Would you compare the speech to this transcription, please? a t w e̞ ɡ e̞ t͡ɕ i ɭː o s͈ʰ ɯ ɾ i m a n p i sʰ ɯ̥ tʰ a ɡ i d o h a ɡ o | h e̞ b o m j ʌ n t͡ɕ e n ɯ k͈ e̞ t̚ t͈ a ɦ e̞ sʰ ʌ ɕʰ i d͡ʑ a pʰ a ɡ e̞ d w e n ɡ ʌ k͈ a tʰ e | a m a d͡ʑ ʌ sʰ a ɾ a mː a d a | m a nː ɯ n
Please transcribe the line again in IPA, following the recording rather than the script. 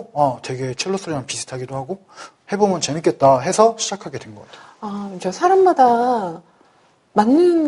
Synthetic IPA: a t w e̞ ɡ e̞ t͡ɕʰ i ɭː o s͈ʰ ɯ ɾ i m a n p i sʰ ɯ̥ tʰ a ɡ i d o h a ɡ o | h e̞ b o m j ʌ n t͡ɕ e n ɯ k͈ e̞ t̚ t͈ a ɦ e̞ sʰ ʌ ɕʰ i d͡ʑ a kʰ a ɡ e̞ d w e n ɡ ʌ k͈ a tʰ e | a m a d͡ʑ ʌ sʰ a ɾ a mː a d a | m a nː ɯ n